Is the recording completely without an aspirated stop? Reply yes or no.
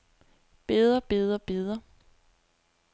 yes